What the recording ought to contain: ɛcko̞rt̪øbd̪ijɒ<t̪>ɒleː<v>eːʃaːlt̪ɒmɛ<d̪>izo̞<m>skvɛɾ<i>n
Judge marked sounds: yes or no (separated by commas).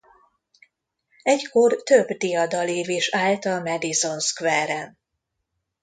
no, yes, yes, no, no